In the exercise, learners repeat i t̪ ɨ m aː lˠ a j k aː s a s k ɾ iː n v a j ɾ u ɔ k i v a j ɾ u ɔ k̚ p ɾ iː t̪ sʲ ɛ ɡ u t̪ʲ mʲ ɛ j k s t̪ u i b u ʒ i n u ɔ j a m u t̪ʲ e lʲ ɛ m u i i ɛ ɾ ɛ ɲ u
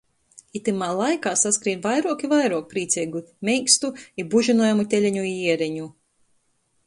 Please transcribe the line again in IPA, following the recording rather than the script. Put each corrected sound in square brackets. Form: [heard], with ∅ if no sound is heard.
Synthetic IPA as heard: i t̪ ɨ m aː lˠ a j k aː s a s k ɾ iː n v a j ɾ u ɔ k i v a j ɾ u ɔ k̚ p ɾ iː t̪ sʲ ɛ ɡ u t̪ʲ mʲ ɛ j k s t̪ u i b u ʒ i n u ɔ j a m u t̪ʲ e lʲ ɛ [ɲ] u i i ɛ ɾ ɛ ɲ u